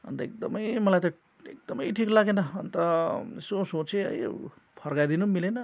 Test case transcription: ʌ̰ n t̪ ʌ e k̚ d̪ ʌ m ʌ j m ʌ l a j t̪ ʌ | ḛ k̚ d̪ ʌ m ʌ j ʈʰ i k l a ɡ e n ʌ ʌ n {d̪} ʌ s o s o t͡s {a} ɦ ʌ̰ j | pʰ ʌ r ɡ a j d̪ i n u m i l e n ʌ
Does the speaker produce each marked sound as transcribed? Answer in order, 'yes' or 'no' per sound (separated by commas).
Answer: no, no